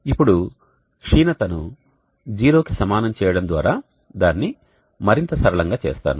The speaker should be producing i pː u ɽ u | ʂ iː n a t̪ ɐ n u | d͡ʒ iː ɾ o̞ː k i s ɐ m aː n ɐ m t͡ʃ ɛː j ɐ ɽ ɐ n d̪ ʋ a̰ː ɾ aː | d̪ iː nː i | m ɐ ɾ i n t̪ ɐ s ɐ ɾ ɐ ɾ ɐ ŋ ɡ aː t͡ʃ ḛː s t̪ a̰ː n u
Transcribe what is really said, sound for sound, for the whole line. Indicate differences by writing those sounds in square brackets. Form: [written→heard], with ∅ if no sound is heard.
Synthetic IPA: i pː u ɽ u | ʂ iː n [a→ɐ] t̪ ɐ n u | d͡ʒ iː ɾ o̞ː k i s ɐ m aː n ɐ m t͡ʃ ɛː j ɐ ɽ ɐ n d̪ ʋ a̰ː ɾ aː | d̪ [iː→aː] nː i | m ɐ ɾ i n t̪ ɐ s ɐ ɾ ɐ [ɾ→ɭ] ɐ ŋ ɡ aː t͡ʃ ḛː s t̪ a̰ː n u